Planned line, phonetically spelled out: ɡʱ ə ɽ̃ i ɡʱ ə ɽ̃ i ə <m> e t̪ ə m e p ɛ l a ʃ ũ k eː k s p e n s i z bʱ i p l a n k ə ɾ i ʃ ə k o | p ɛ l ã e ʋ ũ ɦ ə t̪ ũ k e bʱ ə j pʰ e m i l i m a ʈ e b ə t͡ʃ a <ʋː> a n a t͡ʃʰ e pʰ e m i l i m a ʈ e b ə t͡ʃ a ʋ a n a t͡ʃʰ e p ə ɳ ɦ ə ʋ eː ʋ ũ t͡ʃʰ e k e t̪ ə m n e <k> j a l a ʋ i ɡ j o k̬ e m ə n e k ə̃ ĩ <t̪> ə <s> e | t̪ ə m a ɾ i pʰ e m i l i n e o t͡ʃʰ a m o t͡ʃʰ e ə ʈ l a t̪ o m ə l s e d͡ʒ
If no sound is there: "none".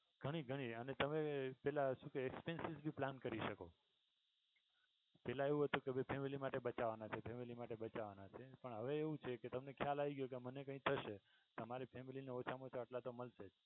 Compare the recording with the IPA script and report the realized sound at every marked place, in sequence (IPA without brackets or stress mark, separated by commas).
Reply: n, ʋ, kʰ, t̪ʰ, ʃ